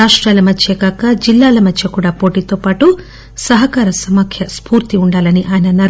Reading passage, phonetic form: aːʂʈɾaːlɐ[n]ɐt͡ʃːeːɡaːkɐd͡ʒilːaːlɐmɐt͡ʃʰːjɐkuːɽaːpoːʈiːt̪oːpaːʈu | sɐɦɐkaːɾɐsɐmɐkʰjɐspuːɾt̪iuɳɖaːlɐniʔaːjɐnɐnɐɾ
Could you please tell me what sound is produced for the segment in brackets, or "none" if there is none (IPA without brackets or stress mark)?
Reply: m